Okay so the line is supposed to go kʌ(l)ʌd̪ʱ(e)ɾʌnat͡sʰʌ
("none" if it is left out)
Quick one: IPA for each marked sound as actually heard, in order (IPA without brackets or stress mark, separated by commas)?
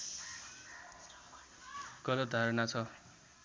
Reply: l, a